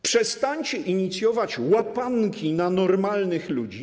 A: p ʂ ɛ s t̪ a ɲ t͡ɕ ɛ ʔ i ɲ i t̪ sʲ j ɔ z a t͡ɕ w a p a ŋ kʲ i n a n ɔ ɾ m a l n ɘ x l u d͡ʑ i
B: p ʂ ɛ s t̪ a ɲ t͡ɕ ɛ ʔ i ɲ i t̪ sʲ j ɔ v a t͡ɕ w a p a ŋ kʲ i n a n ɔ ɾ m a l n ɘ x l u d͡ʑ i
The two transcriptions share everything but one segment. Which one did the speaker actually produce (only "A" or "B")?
B